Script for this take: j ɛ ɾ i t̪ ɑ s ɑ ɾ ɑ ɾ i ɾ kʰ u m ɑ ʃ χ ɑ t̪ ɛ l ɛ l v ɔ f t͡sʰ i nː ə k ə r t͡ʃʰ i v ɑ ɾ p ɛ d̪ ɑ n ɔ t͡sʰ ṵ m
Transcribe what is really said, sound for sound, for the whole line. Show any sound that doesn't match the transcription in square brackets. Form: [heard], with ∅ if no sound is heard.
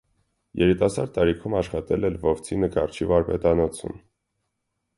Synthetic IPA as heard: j ɛ ɾ i t̪ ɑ s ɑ ɾ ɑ ɾ i [∅] kʰ u m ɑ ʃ χ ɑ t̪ ɛ l ɛ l v ɔ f t͡sʰ i [n] ə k [ɑ] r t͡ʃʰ i v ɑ ɾ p ɛ [t̪] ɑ n ɔ t͡sʰ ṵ m